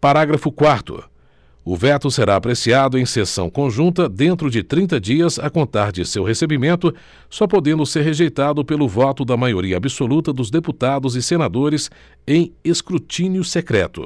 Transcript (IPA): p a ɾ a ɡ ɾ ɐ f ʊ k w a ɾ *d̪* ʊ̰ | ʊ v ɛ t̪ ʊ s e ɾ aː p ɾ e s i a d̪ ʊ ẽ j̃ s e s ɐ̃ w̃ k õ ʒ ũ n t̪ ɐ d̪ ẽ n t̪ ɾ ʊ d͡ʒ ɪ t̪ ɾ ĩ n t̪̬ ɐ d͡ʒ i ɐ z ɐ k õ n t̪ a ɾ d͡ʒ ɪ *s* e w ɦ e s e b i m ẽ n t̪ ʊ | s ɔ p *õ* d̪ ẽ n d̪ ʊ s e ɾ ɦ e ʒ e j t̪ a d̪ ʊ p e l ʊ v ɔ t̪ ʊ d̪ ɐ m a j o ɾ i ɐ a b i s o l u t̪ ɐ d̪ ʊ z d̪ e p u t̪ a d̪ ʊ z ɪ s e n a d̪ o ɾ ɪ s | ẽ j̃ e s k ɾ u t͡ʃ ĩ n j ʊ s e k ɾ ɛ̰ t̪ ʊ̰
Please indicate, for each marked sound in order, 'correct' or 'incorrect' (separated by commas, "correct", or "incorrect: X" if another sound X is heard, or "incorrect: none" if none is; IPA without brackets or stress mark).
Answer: incorrect: t̪, correct, incorrect: o